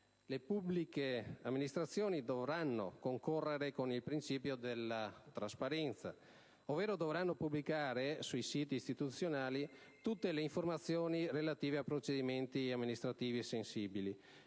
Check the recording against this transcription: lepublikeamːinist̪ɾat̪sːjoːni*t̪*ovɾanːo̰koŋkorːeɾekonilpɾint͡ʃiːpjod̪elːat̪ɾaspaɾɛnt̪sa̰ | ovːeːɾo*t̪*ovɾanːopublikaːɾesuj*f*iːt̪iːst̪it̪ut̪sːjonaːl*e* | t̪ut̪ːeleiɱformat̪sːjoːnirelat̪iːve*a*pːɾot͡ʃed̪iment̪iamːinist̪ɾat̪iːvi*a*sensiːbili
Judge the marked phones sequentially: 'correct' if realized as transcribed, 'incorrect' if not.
incorrect, incorrect, incorrect, incorrect, correct, incorrect

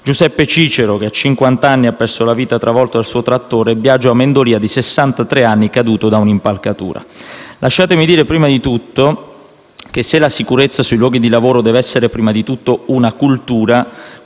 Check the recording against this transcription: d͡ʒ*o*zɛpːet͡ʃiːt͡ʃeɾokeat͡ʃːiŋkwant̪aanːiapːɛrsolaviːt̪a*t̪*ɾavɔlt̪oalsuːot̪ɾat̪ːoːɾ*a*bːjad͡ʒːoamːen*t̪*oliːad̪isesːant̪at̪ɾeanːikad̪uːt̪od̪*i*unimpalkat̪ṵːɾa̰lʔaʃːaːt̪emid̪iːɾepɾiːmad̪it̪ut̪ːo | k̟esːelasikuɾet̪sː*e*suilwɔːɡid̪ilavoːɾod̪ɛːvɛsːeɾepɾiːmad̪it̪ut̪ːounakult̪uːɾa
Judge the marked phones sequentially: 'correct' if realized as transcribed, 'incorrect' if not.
incorrect, correct, incorrect, incorrect, incorrect, incorrect

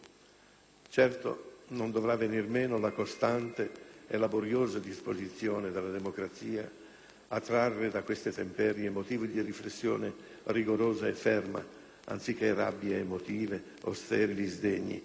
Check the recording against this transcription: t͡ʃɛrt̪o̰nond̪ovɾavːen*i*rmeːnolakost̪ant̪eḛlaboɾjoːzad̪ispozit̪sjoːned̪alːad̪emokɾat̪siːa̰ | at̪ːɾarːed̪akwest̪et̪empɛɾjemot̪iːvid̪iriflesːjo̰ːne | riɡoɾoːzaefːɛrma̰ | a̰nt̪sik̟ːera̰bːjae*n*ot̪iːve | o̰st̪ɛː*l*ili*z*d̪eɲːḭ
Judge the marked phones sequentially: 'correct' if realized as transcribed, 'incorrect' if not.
correct, incorrect, incorrect, correct

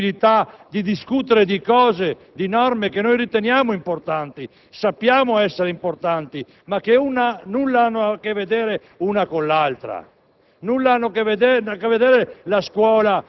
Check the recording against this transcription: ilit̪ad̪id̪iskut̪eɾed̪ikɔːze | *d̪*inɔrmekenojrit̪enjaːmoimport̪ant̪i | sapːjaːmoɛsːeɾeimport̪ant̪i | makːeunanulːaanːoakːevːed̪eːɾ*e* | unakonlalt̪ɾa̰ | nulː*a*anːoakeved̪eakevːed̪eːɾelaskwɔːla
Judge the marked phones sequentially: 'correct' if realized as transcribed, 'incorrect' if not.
correct, correct, correct

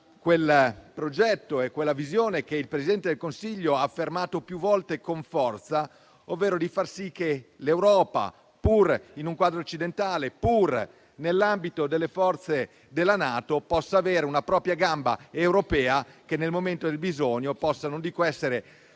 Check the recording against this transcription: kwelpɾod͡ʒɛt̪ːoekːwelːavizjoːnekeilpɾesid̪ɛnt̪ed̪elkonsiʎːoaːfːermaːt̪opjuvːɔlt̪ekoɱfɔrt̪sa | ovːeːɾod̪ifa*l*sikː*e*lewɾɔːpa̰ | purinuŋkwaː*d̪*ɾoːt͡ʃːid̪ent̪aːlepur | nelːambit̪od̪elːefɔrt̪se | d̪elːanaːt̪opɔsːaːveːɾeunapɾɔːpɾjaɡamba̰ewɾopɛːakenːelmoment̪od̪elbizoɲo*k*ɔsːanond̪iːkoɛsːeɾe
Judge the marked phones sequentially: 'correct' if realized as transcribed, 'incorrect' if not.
incorrect, correct, correct, incorrect

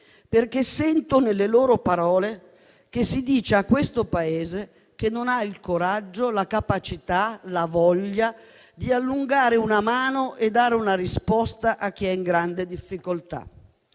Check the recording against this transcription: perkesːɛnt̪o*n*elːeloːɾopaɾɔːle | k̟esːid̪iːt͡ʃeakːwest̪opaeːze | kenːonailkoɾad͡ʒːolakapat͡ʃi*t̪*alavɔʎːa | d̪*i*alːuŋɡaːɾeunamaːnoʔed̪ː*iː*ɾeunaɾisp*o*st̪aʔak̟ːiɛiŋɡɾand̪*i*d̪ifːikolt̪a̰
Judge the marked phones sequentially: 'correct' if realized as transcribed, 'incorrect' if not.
correct, correct, correct, incorrect, incorrect, incorrect

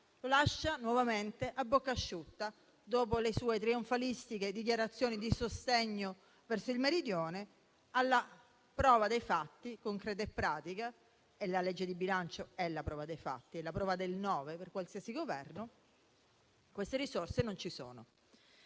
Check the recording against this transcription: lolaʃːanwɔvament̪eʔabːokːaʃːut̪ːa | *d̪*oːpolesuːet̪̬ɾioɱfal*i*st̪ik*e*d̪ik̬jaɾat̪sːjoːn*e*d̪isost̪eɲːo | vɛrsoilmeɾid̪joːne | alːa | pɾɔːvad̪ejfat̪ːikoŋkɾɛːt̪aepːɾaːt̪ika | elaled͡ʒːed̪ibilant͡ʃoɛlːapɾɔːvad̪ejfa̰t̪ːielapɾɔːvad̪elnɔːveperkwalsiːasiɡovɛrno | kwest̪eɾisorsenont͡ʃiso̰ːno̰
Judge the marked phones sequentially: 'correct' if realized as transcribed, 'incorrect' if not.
correct, correct, correct, incorrect

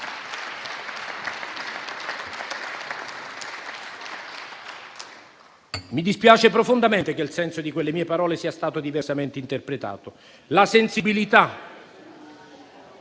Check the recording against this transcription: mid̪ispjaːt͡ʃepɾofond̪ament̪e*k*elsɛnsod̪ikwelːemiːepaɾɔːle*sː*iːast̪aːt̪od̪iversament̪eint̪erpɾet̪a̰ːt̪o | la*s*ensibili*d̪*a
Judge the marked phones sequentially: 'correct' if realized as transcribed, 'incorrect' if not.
correct, incorrect, correct, incorrect

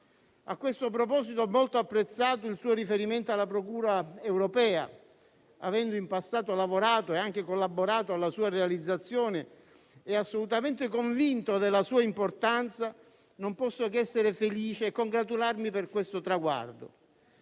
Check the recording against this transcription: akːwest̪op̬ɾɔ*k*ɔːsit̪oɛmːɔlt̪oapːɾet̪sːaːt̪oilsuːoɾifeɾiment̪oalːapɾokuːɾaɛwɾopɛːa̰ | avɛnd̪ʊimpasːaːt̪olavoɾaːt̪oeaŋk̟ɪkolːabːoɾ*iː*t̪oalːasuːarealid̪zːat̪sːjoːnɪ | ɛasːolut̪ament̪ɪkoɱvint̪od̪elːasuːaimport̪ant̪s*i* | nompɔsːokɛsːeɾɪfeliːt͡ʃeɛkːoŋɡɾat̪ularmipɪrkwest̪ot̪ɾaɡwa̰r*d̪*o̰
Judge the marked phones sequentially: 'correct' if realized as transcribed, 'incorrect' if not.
incorrect, incorrect, incorrect, correct

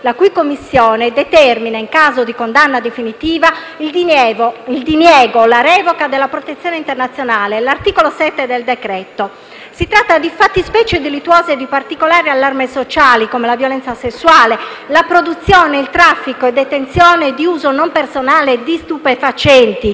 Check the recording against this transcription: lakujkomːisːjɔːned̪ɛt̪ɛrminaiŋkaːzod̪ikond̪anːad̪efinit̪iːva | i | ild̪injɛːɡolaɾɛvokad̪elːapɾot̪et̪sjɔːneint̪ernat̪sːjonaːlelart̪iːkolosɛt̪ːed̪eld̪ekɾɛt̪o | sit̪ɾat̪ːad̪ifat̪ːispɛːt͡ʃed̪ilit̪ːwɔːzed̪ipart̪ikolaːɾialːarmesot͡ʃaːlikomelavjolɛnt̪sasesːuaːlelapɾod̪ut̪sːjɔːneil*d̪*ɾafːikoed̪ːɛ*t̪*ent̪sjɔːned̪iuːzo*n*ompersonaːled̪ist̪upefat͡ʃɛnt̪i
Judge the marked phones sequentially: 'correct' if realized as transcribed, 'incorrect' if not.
incorrect, correct, correct

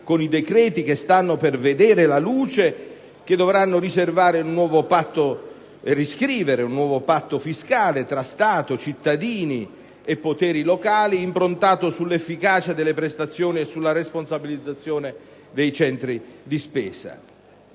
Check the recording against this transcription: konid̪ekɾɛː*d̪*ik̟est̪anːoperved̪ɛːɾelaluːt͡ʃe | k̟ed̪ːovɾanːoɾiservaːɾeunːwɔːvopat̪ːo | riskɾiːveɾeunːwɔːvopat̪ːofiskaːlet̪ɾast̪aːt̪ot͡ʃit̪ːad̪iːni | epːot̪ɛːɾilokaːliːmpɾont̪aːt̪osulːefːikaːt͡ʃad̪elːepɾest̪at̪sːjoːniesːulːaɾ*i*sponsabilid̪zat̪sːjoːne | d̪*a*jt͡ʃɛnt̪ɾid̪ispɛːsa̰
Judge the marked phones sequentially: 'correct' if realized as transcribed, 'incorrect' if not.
incorrect, incorrect, incorrect

